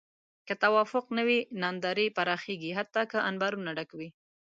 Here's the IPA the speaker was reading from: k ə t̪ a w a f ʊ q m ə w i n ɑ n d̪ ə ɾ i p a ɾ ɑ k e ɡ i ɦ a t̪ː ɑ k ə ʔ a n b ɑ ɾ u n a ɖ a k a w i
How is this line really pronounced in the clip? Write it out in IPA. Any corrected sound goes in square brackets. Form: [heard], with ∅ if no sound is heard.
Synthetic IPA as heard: k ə t̪ a w [ɑ] f ʊ q [n] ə w i n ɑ n d̪ [ɑ] ɾ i p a ɾ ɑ [x] e ɡ i ɦ a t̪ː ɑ k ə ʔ a n b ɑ ɾ u n a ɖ a k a w i